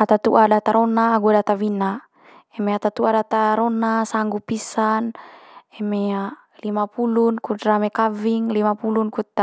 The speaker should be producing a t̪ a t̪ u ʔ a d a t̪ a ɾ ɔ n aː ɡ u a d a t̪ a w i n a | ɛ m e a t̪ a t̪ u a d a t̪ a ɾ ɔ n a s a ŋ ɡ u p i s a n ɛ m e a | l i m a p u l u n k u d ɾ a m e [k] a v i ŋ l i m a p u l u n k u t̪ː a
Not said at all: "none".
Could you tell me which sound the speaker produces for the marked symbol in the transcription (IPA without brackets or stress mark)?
k